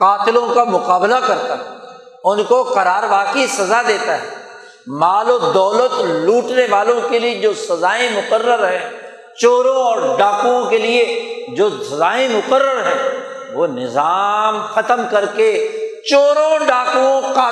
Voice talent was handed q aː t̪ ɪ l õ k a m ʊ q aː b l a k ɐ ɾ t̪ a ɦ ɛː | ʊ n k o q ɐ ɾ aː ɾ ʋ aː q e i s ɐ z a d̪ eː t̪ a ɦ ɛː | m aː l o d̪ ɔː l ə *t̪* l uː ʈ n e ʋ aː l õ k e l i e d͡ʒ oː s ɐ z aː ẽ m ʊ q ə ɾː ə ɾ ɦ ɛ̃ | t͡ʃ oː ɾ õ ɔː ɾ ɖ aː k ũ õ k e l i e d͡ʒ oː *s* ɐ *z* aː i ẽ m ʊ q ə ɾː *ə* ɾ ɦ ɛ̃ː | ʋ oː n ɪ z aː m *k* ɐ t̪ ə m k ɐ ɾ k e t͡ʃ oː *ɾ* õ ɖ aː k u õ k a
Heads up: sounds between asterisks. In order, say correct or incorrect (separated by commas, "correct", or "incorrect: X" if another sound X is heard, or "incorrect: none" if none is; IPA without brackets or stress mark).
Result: correct, correct, correct, correct, incorrect: x, correct